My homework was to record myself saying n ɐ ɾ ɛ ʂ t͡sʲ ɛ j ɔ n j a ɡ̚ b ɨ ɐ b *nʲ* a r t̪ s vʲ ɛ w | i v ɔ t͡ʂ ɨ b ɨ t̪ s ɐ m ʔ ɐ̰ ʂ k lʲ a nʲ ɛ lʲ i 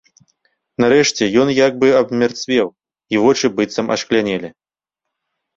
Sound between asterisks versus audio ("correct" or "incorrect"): incorrect